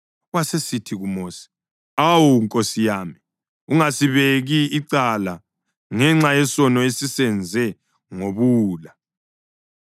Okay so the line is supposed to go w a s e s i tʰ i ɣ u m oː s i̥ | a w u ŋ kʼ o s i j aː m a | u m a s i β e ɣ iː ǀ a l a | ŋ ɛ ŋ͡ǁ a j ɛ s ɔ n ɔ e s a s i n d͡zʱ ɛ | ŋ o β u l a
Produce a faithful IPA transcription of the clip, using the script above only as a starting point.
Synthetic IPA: w a s e s i tʰ i ɣ u m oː s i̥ | a w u ŋ kʼ o s i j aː m i | u ŋ a s i β e ɣ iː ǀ a l a | ŋ ɛ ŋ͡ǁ a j ɛ s ɔ n ɔ e s i s ɛ n d͡zʱ ɛ | ŋ o β uː l a